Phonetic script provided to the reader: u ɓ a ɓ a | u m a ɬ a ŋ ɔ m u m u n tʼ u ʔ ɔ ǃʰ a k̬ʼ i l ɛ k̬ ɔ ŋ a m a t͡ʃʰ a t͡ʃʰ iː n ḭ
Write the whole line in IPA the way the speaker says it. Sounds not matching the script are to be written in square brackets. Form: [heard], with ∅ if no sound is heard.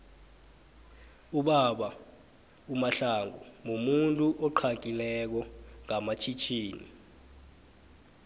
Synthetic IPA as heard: u ɓ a ɓ a | u m a ɬ a ŋ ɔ m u m u n tʼ u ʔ ɔ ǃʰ a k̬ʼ i l ɛ k̬ ɔ ŋ a m a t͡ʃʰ [i] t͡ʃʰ iː n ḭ